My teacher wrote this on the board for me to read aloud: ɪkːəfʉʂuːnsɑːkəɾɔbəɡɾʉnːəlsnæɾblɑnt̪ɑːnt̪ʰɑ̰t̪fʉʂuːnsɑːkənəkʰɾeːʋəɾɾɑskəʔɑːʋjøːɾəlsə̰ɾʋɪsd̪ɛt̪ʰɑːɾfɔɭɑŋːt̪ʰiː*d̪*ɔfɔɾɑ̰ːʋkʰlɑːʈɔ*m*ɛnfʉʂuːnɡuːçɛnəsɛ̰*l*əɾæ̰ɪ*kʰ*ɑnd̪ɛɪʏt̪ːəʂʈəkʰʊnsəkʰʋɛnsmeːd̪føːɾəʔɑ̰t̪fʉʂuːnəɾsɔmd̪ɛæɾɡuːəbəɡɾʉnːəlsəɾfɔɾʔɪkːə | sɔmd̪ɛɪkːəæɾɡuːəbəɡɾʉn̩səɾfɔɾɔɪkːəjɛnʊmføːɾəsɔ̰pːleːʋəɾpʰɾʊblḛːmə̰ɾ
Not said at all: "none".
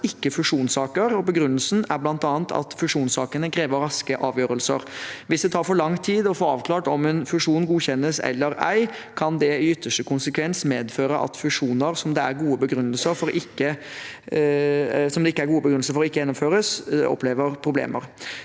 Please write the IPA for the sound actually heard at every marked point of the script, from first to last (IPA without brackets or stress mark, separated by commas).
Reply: d̪, m, lː, kʰ